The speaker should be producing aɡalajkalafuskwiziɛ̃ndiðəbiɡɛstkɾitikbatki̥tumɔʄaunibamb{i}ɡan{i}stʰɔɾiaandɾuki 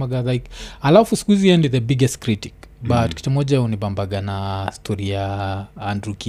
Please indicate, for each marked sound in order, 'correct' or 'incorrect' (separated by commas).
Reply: incorrect, incorrect